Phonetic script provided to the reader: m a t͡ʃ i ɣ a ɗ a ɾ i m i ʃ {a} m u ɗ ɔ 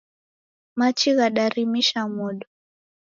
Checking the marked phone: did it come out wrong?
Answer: no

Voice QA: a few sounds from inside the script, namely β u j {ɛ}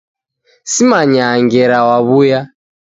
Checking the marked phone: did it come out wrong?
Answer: yes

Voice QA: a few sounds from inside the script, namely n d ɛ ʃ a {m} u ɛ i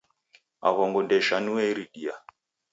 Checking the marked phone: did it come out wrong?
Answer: yes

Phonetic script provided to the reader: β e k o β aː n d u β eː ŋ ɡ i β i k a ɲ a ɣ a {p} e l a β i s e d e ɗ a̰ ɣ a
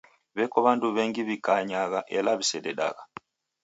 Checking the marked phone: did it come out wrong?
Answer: yes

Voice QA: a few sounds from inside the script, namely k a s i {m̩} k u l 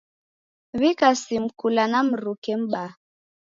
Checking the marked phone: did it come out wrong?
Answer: no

